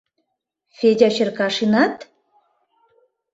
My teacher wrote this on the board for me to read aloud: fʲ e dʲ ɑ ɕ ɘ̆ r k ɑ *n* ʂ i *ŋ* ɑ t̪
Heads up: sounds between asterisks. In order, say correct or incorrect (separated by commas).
incorrect, incorrect